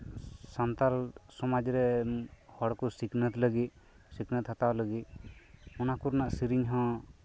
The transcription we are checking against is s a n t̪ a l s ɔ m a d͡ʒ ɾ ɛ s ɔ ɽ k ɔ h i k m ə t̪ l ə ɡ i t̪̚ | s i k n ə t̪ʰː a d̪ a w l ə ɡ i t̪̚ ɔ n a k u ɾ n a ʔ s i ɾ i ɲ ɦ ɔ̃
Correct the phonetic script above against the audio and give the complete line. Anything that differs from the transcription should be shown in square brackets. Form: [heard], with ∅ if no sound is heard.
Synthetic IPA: s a n t̪ a l s ɔ m a d͡ʒ ɾ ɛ [h] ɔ ɽ k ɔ [s] i k [n] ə t̪ l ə ɡ i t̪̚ | s i k n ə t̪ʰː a [t̪] a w l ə ɡ i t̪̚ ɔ n a k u ɾ n a ʔ s i ɾ i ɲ ɦ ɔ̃